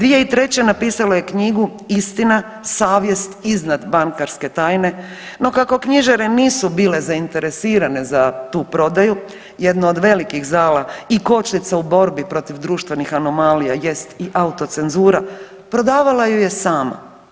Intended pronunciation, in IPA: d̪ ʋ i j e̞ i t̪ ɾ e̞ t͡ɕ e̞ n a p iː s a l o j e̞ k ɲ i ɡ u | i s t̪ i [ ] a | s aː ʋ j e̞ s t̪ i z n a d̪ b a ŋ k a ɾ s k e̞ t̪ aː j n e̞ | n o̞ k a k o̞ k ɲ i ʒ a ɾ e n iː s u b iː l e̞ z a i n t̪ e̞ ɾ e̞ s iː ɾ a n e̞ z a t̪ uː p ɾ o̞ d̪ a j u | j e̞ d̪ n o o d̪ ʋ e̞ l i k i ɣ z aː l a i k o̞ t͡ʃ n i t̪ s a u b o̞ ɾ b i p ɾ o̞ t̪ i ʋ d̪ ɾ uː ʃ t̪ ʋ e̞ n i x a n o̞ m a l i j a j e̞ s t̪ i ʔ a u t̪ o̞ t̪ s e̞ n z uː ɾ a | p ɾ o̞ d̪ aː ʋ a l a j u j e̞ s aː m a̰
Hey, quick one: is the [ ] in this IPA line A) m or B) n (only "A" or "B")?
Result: B